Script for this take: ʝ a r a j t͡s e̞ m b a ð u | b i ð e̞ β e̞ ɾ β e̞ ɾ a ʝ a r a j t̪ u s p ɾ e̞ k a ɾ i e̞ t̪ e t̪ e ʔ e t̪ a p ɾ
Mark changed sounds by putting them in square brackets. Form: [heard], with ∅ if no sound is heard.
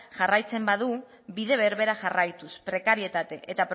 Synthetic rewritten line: ʝ a r a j t͡s e̞ m b a ð u | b i ð e̞ β e̞ ɾ β e̞ ɾ a ʝ a r a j t̪ u s p ɾ e̞ k a ɾ i e̞ t̪ [a] t̪ e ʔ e t̪ a p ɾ